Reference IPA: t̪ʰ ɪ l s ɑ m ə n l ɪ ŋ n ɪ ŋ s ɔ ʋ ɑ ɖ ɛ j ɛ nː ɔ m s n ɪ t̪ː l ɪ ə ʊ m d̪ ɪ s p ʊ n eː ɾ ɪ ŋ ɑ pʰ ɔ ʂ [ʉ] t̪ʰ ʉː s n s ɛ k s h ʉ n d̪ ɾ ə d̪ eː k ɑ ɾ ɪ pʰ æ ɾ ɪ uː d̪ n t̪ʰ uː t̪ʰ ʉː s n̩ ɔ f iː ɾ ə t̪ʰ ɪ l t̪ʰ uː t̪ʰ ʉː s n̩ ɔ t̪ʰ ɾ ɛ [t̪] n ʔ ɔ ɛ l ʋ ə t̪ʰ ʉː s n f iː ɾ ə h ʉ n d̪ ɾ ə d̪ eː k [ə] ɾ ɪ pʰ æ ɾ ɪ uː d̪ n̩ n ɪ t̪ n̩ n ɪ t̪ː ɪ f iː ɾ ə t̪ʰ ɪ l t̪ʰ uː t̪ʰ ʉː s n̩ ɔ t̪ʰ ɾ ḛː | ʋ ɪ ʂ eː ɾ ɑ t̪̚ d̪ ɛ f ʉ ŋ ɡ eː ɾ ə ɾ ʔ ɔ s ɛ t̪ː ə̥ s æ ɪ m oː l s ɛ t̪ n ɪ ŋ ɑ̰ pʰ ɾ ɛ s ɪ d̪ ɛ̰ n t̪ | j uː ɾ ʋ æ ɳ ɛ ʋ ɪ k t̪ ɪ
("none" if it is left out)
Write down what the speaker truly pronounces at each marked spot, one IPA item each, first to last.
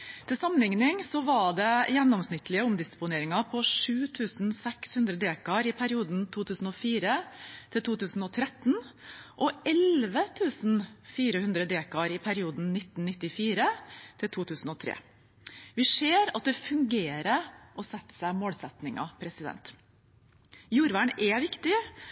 ʉː, t̪, ɑ

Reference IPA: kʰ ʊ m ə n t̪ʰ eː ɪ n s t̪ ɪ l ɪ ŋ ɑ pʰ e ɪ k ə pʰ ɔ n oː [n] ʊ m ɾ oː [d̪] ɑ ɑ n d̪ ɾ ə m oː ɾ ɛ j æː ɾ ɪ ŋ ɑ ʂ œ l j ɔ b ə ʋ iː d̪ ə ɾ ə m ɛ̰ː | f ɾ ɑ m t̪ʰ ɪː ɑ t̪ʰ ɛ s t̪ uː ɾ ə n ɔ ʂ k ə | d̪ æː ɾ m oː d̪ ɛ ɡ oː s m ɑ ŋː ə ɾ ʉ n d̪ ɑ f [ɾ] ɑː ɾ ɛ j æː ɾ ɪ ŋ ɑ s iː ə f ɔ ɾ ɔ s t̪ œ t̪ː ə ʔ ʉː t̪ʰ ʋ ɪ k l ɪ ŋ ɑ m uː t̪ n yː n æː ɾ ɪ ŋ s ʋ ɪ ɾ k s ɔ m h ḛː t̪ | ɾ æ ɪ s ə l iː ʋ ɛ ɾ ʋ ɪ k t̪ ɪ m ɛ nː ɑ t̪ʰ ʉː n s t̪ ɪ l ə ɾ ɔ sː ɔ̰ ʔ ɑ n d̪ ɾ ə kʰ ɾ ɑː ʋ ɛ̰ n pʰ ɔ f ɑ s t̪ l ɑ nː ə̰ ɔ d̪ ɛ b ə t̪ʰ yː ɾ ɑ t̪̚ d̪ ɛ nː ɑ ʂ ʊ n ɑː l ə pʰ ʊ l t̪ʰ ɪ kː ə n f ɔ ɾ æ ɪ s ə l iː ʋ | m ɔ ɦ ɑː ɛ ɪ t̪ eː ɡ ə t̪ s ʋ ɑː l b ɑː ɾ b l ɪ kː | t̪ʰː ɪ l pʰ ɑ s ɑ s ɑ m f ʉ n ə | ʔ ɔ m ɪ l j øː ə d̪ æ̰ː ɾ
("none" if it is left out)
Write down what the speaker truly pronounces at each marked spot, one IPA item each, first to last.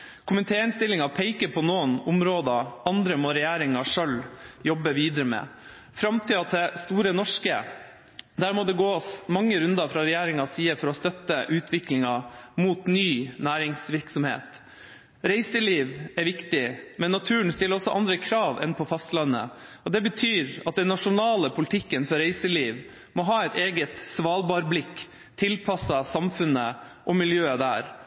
n, d̪, ɾ

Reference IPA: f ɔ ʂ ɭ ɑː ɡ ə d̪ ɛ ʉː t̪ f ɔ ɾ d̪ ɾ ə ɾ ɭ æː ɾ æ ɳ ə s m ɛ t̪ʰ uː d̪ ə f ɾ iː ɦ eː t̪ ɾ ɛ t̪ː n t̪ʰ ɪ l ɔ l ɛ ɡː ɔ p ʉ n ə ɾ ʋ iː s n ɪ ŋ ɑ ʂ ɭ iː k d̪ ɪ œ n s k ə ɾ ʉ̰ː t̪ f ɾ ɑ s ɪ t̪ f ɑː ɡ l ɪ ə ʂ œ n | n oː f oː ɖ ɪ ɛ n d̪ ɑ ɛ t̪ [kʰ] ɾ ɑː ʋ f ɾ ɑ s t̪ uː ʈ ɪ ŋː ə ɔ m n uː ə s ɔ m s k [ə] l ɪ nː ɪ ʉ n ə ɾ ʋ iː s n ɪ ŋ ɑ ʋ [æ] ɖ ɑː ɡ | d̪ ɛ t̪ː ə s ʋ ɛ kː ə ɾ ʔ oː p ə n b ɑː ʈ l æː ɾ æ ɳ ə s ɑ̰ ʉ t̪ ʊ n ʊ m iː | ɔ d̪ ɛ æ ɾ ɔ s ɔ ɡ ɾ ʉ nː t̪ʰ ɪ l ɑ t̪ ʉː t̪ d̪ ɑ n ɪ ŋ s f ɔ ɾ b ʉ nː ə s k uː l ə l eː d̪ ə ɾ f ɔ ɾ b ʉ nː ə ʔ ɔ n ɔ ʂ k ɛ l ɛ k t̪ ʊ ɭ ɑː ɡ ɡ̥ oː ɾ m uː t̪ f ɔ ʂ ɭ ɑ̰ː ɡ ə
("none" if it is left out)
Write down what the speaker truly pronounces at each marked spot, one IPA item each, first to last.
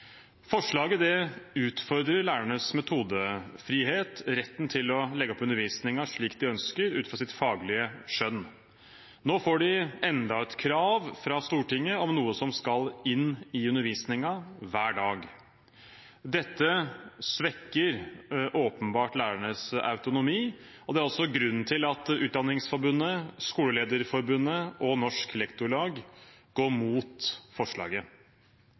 kʰ, ɑ, æː

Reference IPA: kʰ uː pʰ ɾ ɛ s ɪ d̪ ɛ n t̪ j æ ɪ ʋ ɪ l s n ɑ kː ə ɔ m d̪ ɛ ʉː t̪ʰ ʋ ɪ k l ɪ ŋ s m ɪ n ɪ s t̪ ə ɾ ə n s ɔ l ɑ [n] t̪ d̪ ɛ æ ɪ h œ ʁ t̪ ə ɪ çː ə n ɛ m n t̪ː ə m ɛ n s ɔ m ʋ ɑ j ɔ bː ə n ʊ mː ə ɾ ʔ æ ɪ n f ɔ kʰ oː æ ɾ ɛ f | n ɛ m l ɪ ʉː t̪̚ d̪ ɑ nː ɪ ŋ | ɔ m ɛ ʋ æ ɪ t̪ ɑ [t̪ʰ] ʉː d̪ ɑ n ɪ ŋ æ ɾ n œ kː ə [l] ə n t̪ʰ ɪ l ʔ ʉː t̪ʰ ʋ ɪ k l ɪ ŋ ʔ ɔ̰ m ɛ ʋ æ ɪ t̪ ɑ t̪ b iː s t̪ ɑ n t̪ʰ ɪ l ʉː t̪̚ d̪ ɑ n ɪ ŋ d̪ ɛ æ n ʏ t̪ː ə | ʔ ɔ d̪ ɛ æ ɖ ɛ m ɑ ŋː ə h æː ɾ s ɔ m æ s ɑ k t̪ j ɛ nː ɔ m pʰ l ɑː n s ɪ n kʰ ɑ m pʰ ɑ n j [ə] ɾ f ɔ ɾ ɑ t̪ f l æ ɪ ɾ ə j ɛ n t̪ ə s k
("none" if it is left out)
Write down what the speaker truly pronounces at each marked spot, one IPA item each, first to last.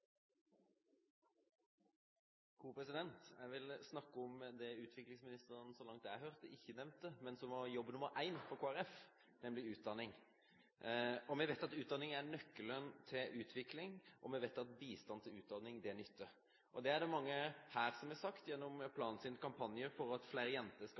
ŋ, t̪, l, ə

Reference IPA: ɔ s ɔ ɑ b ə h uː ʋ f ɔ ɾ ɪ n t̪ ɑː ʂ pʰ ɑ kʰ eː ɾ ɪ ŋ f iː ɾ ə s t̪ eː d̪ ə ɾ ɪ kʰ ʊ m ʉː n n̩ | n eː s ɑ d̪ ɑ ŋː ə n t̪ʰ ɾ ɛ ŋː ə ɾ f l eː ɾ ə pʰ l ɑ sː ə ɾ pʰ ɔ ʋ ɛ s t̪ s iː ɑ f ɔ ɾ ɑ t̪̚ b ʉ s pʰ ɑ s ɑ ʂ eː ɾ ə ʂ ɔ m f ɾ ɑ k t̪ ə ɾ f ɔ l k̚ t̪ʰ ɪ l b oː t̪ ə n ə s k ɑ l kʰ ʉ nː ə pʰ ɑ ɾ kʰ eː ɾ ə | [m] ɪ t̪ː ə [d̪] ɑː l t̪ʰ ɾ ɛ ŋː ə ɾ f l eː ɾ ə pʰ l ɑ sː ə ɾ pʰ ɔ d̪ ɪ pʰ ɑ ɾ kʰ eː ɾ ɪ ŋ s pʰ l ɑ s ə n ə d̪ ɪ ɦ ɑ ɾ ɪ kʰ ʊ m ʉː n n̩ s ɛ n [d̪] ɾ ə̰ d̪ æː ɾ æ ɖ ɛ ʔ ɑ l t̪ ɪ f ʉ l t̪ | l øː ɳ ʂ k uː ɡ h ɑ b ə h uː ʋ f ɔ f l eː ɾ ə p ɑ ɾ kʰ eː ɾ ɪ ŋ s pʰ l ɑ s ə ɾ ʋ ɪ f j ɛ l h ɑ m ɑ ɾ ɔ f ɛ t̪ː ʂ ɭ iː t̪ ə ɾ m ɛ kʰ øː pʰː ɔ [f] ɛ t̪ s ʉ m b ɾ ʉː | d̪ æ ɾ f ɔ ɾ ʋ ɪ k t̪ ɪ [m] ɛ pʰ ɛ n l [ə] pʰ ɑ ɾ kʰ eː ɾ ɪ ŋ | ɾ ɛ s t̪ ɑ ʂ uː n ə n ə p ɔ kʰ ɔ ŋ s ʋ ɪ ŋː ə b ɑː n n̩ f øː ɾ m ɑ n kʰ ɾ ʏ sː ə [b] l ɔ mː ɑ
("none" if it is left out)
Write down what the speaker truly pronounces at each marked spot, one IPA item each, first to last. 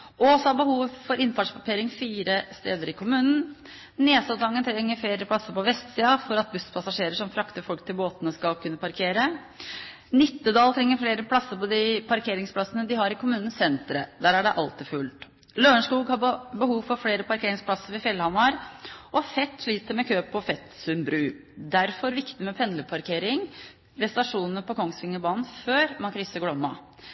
n, d̪, t̪, f, m, ə, ɡ

